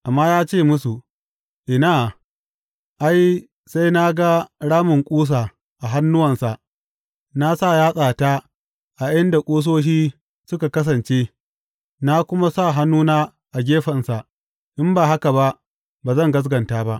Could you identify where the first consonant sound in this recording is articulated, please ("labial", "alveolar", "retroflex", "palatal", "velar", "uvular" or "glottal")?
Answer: glottal